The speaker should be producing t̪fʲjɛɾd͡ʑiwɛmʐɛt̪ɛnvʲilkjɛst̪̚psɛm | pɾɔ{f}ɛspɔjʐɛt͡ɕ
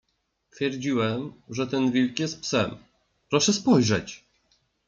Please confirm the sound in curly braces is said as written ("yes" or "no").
no